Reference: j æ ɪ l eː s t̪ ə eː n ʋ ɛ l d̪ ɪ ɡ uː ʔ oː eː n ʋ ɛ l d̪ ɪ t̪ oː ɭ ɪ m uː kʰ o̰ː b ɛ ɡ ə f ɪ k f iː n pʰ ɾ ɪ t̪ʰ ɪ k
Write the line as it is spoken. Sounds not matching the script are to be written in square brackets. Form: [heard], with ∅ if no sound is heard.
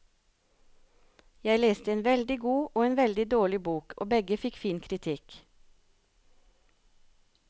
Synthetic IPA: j æ ɪ l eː s t̪ ə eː n ʋ ɛ l d̪ ɪ ɡ uː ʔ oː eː n ʋ ɛ l d̪ ɪ [d̪] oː ɭ ɪ [b] uː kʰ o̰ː b ɛ ɡ ə f ɪ k f iː n [kʰ] ɾ ɪ t̪ʰ ɪ k